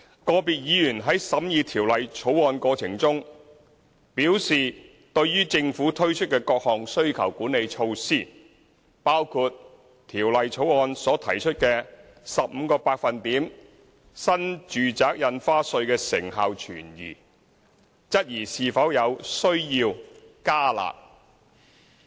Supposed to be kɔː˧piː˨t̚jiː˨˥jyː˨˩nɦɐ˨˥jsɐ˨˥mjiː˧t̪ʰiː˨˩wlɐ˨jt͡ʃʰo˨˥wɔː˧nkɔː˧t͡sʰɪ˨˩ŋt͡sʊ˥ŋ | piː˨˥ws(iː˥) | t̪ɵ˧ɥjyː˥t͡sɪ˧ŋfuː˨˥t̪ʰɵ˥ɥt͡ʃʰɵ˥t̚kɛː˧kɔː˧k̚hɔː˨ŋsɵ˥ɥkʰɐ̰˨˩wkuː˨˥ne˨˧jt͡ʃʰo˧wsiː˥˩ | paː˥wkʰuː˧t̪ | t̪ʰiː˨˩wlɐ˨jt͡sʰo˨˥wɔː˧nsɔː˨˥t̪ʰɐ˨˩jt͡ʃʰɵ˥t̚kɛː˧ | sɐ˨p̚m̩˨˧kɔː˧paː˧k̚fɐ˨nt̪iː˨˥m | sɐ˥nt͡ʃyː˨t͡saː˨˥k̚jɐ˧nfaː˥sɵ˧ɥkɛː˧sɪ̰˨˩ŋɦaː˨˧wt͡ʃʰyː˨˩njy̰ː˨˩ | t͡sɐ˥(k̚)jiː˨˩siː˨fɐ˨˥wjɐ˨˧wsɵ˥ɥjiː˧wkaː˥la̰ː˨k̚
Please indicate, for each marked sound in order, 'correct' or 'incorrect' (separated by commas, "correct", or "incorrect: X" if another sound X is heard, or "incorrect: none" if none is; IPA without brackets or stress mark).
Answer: incorrect: iː˨, incorrect: t̚